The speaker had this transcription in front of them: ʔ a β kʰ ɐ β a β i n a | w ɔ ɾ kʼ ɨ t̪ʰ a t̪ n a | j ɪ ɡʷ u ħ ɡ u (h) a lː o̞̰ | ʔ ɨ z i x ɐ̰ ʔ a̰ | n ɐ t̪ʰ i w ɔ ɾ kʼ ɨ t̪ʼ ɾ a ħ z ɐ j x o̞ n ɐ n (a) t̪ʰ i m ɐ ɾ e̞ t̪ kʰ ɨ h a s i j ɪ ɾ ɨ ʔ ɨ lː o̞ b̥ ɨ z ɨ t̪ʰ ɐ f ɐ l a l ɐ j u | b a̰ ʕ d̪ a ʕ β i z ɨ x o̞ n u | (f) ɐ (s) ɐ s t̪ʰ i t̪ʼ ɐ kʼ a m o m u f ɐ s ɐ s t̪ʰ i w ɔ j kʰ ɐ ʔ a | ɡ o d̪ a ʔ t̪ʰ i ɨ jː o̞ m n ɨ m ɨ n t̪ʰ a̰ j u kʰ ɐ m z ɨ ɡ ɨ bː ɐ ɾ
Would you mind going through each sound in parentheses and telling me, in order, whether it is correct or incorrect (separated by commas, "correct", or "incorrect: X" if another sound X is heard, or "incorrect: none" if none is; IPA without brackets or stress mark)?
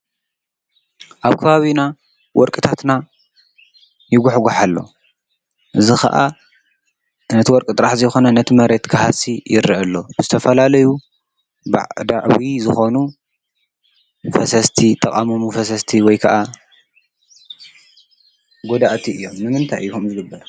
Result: incorrect: ħ, incorrect: ɐ, correct, correct